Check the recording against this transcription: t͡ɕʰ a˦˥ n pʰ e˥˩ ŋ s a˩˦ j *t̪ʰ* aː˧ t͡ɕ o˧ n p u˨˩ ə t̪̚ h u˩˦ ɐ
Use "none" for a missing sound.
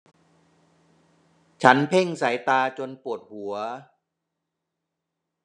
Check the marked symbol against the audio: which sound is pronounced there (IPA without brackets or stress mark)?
t̪